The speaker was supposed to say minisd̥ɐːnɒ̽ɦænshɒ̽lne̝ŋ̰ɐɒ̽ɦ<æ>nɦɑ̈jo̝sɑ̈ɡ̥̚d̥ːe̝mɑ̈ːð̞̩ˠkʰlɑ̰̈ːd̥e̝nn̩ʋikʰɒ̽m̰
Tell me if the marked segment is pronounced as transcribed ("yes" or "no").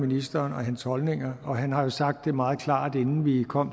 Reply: yes